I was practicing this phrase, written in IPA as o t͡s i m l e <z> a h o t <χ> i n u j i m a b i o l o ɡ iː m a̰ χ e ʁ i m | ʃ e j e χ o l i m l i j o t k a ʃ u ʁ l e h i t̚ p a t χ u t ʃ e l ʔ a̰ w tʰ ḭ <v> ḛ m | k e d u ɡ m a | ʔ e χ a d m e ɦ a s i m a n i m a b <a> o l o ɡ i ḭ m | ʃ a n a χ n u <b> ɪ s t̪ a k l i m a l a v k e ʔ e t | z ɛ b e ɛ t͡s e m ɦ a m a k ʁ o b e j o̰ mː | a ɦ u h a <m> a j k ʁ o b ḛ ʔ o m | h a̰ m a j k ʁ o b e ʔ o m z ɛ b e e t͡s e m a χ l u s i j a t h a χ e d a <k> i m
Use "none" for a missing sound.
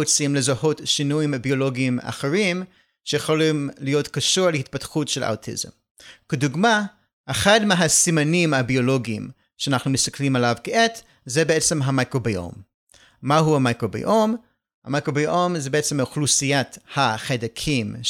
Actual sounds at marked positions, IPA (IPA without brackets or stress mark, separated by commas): z, ʃ, z, i, m, m, kʰ